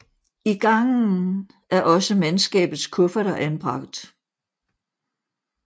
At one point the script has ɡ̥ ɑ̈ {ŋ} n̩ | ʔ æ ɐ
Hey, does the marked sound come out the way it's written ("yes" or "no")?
yes